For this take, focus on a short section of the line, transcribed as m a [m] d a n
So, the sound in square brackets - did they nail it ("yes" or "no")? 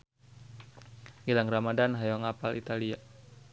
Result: no